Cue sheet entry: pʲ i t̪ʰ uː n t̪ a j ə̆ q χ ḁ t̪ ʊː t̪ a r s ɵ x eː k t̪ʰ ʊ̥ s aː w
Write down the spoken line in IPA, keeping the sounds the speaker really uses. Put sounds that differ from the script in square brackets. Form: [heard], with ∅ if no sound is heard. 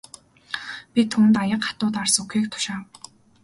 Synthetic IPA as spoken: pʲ i t̪ʰ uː n t̪ a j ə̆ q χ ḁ t̪ ʊː t̪ a r s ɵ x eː k t̪ʰ ʊ̥ [ʃ] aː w